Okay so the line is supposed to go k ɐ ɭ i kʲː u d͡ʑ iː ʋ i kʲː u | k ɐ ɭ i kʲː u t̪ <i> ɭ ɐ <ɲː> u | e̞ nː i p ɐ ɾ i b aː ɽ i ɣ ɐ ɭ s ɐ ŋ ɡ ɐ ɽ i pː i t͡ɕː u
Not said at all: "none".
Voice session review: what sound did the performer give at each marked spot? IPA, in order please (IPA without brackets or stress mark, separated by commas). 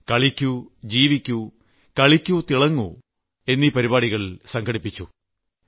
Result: i, ŋː